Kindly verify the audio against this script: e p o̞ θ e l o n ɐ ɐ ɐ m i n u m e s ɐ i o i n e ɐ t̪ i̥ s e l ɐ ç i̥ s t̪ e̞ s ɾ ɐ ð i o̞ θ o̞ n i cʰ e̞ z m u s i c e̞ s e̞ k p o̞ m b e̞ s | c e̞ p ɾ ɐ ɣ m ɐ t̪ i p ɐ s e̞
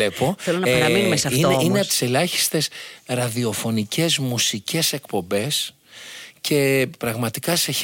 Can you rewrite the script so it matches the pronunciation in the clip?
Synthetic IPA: e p o̞ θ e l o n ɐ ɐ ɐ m i n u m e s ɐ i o i n e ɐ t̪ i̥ s e l ɐ ç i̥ s t̪ e̞ s ɾ ɐ ð i o̞ f o̞ n i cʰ e̞ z m u s i c e̞ s e̞ k p o̞ m b e̞ s | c e̞ p ɾ ɐ ɣ m ɐ t̪ i k ɐ s e̞